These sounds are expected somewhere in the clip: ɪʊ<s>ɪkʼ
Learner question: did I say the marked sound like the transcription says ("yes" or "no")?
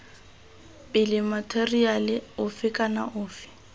no